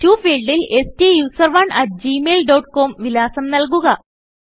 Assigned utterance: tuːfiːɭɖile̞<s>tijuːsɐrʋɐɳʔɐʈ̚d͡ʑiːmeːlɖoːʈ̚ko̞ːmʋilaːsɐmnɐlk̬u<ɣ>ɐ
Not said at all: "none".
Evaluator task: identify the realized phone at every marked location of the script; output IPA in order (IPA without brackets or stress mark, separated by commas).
s, ɣ